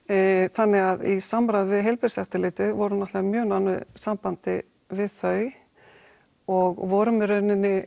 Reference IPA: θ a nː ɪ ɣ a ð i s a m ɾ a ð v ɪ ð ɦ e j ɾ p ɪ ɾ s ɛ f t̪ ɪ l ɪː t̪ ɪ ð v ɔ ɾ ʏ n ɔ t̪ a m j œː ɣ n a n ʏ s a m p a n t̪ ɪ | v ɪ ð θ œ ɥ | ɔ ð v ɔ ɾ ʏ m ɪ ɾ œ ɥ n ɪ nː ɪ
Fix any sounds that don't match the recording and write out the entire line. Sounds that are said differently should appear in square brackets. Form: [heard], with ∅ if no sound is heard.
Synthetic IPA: θ a nː ɪ ɣ a ð i s a m ɾ a ð v ɪ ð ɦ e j [l] p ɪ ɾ s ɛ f t̪ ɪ l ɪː t̪ ɪ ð v ɔ ɾ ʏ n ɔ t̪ a m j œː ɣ n a n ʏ s a m p a n t̪ ɪ | v ɪ ð θ œ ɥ | ɔ [ɣ] v ɔ ɾ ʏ m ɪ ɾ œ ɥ n ɪ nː ɪ